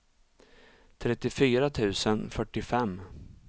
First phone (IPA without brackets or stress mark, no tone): t̪ʰ